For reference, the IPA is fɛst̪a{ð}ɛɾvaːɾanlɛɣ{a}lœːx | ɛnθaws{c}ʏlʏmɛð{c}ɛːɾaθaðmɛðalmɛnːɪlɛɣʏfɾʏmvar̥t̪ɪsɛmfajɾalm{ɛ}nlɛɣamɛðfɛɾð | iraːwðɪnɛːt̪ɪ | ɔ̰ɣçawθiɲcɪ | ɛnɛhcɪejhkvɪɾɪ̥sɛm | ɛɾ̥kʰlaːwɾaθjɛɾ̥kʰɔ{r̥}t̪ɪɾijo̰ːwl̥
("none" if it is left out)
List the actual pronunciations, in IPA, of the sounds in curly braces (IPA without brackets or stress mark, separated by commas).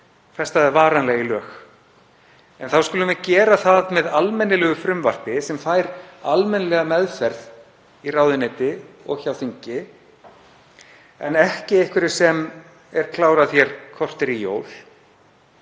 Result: ð, i, k, c, ɛ, r̥